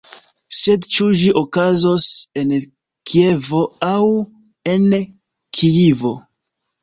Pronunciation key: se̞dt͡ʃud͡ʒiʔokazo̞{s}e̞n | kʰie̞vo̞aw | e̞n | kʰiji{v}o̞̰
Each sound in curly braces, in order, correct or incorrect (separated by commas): correct, correct